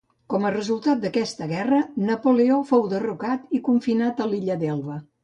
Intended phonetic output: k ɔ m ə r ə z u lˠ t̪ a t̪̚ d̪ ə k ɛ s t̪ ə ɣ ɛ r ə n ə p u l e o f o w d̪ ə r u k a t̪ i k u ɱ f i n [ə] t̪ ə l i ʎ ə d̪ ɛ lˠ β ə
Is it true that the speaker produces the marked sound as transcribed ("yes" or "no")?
no